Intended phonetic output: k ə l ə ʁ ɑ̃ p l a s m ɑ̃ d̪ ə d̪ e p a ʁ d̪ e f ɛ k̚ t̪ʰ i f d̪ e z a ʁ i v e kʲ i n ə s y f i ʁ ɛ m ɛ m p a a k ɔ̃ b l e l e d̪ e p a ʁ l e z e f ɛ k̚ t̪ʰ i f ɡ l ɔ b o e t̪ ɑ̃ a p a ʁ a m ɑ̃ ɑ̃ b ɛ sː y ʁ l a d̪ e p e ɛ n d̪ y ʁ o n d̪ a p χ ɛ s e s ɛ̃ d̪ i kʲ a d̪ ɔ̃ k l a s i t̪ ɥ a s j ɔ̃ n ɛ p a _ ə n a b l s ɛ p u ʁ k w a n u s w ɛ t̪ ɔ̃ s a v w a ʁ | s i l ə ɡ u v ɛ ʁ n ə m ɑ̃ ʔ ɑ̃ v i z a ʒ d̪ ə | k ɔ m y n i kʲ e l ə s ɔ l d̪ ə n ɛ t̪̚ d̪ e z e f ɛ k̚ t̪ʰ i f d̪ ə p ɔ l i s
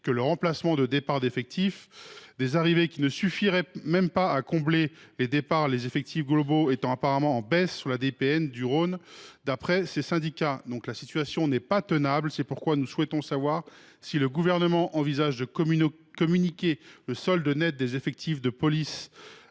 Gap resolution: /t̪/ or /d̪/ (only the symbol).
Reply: t̪